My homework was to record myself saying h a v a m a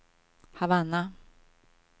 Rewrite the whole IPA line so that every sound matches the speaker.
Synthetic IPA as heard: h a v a n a